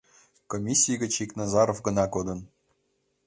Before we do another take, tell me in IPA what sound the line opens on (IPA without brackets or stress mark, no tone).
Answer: k